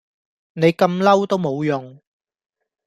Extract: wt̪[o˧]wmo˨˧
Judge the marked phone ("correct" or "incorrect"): incorrect